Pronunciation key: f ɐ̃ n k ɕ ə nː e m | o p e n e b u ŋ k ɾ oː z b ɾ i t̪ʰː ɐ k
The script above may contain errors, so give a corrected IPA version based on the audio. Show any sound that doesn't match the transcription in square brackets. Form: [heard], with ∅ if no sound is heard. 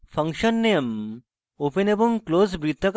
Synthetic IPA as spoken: f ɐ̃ [ŋ] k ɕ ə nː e m | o p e n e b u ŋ k [l] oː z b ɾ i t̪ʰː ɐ k